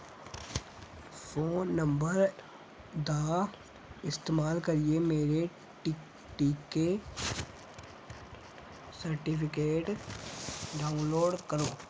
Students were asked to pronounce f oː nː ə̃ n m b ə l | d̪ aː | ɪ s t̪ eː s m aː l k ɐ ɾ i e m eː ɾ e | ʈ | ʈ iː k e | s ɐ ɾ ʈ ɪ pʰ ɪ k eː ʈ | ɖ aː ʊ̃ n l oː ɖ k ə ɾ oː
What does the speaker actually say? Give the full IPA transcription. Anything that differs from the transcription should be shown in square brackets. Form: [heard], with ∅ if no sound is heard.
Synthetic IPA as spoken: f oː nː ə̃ [∅] m b ə [ɾ] | d̪ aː | ɪ s t̪ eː [∅] m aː l k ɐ ɾ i e m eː ɾ e | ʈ | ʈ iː k e | s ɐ ɾ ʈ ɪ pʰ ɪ k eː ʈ | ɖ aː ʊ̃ n l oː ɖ k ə ɾ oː